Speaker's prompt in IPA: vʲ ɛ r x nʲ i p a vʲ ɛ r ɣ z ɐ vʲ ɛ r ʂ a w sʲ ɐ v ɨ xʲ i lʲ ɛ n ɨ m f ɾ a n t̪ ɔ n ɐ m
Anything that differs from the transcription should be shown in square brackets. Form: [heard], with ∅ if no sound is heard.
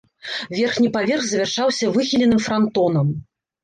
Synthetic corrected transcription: vʲ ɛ r x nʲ i p a vʲ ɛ r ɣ z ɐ vʲ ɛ r ʂ a w sʲ ɐ v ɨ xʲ i lʲ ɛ n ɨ m f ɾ a n t̪ ɔ n ɐ m